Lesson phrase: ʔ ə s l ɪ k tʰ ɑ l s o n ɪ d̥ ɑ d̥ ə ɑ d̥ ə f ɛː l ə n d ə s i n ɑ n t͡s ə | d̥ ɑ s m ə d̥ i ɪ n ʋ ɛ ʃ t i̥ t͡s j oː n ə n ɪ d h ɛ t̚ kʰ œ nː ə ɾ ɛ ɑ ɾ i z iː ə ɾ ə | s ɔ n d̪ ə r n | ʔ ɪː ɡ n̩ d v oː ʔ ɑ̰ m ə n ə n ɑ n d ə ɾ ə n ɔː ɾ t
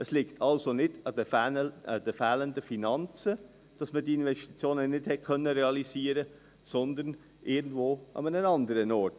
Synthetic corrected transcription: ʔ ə s l ɪ k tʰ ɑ l s o n ɪ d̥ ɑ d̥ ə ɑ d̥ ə f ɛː l ə n d ə f i n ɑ n t͡s ə | d̥ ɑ s m ə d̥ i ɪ n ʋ ɛ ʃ t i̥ t͡s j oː n ə n ɪ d h ɛ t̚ kʰ œ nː ə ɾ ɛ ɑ l i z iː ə ɾ ə | s ɔ n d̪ ə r n | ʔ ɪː ɡ n̩ d v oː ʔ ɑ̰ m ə n ə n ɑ n d ə ɾ ə n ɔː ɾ t